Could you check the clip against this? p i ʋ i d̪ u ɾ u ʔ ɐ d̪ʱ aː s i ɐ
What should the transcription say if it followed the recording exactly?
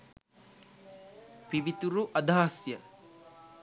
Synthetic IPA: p i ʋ i t̪ u ɾ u ʔ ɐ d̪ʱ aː s j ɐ